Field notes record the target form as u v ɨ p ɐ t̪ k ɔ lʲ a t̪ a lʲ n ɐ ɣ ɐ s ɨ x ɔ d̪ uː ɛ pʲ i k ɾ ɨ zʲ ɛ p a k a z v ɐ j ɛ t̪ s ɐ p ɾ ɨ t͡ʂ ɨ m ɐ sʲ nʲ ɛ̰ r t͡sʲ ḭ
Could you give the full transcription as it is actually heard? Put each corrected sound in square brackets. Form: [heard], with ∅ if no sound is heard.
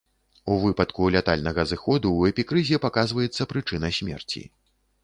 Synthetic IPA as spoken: u v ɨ p ɐ t̪ k [u] lʲ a t̪ a lʲ n ɐ ɣ ɐ [z] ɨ x ɔ d̪ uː ɛ pʲ i k ɾ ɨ zʲ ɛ p a k a z v ɐ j ɛ t̪ [sː] ɐ p ɾ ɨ t͡ʂ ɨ [n] ɐ sʲ [mʲ] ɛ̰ r t͡sʲ ḭ